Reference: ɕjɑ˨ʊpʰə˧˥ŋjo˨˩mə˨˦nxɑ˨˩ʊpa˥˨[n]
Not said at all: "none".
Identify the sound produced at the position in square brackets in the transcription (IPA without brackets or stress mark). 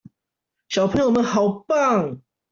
ŋ